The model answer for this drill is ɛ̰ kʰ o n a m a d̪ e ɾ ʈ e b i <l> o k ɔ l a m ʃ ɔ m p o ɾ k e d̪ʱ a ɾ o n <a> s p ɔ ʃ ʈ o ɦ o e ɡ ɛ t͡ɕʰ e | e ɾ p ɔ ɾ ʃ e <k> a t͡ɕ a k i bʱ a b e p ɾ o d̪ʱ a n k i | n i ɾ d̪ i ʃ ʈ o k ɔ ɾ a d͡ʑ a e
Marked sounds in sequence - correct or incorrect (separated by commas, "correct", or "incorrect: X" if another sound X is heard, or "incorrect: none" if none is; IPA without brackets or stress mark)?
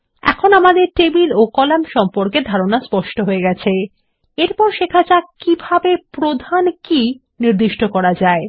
correct, correct, incorrect: kʰ